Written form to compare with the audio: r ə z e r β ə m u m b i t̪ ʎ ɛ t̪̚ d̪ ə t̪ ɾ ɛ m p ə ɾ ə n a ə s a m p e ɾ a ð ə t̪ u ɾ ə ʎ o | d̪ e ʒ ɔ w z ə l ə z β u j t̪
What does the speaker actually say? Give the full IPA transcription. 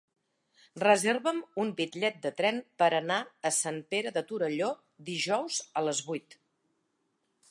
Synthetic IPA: r ə z e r β ə m u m b i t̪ ʎ ɛ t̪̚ d̪ ə t̪ ɾ ɛ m p ə ɾ ə n a ə s a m p e ɾ ə ð ə t̪ u ɾ ə ʎ o | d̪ i ʒ ɔ w z ə l ə z β u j t̪